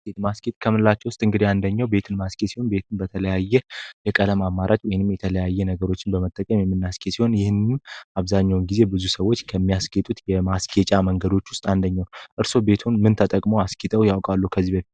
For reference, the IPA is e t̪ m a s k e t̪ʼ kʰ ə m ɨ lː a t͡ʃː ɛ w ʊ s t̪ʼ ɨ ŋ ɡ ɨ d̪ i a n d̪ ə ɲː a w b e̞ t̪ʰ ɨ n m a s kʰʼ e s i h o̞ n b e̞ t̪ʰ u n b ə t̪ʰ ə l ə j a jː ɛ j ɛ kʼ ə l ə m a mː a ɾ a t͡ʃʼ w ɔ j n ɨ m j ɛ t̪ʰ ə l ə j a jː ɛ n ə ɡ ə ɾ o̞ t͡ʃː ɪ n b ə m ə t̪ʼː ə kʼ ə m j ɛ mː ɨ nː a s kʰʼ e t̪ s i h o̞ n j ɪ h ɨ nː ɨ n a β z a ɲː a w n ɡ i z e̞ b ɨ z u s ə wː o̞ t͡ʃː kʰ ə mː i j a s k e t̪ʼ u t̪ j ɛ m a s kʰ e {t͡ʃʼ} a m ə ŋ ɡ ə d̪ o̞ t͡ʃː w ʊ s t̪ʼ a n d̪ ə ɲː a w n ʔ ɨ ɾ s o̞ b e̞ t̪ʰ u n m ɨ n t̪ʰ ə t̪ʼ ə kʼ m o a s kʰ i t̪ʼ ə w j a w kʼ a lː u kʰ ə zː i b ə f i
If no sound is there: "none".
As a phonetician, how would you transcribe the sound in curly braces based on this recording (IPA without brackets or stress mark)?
t͡ʃʼ